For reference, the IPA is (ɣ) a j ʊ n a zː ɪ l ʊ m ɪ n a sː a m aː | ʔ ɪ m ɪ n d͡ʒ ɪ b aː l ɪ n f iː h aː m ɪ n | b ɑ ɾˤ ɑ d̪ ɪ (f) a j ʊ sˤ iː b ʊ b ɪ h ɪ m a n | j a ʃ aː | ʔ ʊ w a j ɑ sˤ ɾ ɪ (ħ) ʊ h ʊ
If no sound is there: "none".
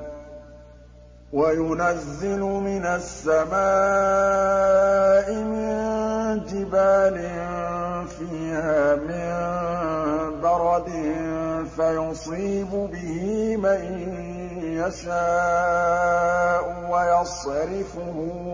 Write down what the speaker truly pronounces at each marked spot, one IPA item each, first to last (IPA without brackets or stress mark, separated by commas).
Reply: w, f, f